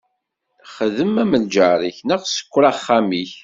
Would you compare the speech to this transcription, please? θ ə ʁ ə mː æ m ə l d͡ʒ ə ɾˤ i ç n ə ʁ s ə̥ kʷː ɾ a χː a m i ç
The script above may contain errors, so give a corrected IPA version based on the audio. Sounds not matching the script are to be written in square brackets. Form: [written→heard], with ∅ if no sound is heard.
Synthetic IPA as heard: [θ→χ] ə [ʁ→ð] ə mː æ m ə l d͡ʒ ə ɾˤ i ç n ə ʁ s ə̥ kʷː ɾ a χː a m i ç